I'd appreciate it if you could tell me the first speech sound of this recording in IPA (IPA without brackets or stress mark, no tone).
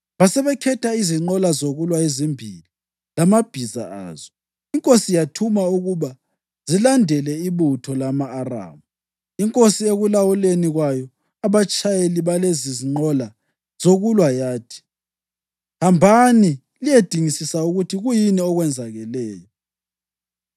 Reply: β